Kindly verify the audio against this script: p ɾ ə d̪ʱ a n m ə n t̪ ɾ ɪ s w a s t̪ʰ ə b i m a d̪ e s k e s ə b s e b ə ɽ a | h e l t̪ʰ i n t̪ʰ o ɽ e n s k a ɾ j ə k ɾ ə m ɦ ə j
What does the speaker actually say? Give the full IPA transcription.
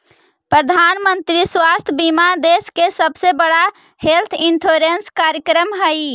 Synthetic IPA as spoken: p ɾ ə d̪ʱ a n m ə n t̪ ɾ i s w a s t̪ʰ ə b i m a d̪ e s k e s ə b s e b ə ɽ a | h e l t̪ʰ i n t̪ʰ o ɾ e n s k a ɾ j ə k ɾ ə m ɦ ə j